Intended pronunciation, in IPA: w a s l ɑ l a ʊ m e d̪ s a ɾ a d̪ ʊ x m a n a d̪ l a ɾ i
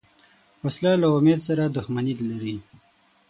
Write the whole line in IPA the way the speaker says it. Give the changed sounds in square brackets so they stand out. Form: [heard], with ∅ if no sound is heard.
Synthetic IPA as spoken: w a s l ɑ l a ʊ m e d̪ s a ɾ a d̪ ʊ x m a n [i] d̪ l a ɾ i